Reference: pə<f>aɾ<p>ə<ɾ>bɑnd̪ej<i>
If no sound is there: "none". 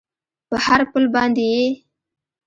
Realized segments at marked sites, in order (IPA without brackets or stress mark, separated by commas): h, p, l, e